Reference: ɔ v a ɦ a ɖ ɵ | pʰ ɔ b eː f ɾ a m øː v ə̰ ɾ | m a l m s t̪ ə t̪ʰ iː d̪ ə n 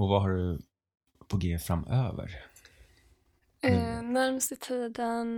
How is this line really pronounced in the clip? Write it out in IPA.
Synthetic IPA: ɔ v a ɦ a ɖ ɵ | pʰ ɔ ɡ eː f ɾ a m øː v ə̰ ɾ | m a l m s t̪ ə t̪ʰ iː d̪ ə n